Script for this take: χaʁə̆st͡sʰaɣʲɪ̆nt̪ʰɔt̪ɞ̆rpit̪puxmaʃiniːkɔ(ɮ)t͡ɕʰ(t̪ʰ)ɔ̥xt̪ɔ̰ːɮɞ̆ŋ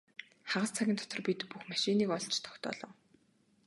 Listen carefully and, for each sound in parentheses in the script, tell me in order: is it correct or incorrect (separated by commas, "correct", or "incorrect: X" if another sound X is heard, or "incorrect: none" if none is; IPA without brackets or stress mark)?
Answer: correct, correct